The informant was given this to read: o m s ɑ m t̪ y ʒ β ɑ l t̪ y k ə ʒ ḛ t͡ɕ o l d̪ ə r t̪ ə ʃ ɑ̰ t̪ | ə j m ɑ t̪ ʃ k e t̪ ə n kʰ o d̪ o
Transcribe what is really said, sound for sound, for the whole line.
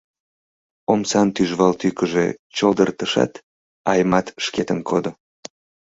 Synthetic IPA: o m s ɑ n t̪ y ʒ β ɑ l t̪ y k ə ʒ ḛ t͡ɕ o l d̪ ə r t̪ ə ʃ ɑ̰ t̪ | ɑ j m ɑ t̪ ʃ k e t̪ ə n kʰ o d̪ o